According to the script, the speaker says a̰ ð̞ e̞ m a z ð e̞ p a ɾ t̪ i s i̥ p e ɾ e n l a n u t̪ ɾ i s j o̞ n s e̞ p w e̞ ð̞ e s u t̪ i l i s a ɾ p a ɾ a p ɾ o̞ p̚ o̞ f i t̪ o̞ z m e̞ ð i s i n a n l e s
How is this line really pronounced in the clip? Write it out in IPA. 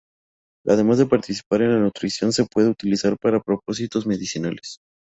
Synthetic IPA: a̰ ð̞ e̞ m a z ð e̞ p a ɾ t̪ i s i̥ p a ɾ e n l a n u t̪ ɾ i s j o̞ n s e̞ p w e̞ ð̞ e u t̪ i l i s a ɾ p a ɾ a p ɾ o̞ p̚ o̞ s i t̪ o̞ z m e̞ ð i s i n a l e s